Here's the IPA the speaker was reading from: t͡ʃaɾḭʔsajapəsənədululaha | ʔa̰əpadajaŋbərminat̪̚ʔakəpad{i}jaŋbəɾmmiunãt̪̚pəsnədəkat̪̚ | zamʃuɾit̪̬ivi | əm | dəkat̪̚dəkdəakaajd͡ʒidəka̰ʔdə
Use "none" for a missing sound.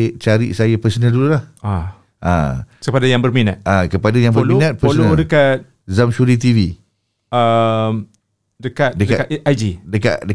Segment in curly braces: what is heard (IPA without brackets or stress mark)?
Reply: a